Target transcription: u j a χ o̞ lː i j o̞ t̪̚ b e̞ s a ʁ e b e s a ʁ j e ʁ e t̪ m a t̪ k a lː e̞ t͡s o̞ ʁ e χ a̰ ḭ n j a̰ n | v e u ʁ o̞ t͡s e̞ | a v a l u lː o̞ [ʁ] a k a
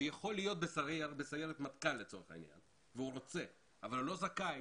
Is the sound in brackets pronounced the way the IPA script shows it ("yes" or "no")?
no